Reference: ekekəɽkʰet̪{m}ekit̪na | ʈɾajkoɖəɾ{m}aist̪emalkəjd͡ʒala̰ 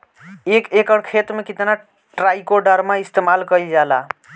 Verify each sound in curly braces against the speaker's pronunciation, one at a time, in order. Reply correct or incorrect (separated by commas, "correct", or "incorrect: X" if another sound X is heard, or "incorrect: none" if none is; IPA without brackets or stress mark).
correct, correct